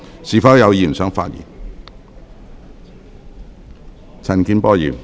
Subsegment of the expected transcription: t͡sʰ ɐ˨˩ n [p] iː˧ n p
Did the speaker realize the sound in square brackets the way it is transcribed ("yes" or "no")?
no